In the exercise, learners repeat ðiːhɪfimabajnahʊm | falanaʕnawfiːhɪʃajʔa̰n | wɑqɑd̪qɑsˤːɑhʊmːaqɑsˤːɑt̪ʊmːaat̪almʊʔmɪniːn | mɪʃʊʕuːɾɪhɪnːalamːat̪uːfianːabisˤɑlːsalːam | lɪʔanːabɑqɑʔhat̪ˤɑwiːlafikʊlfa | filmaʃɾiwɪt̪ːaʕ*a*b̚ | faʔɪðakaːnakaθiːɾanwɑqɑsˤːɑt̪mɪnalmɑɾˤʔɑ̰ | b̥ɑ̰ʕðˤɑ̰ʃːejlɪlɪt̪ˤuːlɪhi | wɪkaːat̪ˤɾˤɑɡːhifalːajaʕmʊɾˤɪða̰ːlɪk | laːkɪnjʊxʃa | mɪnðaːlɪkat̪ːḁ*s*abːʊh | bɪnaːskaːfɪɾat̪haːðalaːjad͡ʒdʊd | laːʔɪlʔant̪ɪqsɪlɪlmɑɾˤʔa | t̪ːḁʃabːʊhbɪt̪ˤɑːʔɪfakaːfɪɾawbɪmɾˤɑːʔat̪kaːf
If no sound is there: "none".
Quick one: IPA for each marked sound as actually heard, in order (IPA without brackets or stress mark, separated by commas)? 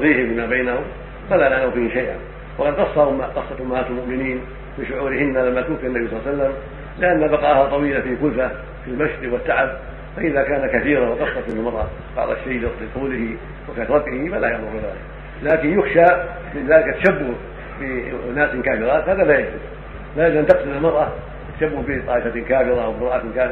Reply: a, ʃ